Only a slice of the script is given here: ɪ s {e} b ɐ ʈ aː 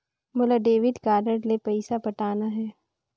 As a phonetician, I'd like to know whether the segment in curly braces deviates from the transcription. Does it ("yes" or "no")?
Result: yes